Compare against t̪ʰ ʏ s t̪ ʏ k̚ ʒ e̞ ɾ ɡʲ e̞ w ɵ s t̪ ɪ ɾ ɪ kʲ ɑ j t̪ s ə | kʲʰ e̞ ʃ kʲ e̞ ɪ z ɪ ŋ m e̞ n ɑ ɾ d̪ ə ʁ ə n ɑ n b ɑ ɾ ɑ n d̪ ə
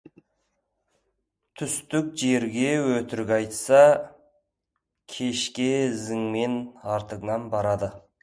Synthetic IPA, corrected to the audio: t̪ʰ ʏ s t̪ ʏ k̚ ʒ e̞ ɾ ɡʲ e̞ w ɵ t̪ ɪ ɾ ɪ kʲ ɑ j t̪ s ɑ | kʲʰ e̞ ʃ kʲ e̞ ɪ z ɪ ŋ m e̞ n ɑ ɾ t̪ ə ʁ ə n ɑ n b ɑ ɾ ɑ d̪ ə